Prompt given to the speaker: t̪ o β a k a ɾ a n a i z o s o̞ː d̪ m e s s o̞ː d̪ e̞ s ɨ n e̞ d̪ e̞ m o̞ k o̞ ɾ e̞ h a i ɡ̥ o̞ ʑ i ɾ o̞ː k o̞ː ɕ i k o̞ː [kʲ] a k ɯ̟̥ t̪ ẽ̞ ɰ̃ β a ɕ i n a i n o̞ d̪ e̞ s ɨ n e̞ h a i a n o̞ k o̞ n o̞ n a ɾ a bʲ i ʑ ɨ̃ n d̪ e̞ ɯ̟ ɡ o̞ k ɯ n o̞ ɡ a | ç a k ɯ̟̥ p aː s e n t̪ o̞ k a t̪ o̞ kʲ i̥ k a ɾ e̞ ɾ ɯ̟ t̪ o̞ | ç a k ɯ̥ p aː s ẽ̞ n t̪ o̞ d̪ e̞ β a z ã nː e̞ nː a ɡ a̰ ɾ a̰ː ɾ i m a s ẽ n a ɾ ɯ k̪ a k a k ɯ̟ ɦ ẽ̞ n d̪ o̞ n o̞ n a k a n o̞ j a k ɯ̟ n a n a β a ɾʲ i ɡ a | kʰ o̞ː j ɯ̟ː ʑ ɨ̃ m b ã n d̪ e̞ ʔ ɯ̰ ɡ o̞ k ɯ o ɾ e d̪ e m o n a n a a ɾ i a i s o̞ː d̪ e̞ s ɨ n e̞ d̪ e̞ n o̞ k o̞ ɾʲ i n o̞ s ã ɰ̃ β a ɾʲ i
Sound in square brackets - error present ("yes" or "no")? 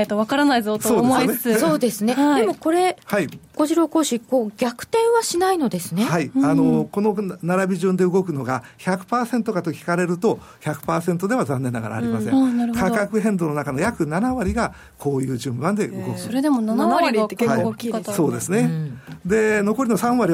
yes